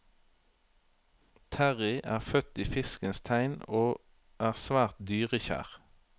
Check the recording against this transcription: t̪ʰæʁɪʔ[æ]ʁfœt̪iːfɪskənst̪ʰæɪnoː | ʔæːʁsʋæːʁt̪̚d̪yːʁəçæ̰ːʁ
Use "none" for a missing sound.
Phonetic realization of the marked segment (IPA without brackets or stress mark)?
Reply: æː